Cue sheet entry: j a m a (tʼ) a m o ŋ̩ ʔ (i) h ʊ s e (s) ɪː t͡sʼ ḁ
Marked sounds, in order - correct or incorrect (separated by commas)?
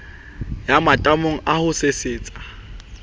correct, incorrect, correct